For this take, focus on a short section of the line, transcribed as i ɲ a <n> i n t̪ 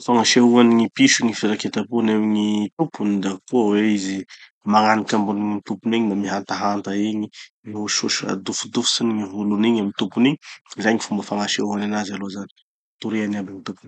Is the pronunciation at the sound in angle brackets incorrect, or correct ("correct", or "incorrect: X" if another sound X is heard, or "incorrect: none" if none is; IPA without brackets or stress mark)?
incorrect: m